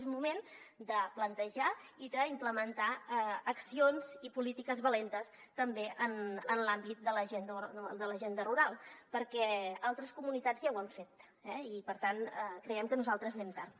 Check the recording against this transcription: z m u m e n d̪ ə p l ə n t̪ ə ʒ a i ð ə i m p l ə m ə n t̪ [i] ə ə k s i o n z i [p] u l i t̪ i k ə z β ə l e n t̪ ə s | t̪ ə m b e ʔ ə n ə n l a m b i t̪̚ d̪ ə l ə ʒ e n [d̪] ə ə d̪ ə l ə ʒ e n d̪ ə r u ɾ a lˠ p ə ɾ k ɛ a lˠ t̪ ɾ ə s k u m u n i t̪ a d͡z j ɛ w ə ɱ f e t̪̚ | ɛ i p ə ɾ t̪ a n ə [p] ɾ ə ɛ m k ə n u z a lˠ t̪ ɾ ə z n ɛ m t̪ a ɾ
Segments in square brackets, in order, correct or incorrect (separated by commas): incorrect, correct, correct, incorrect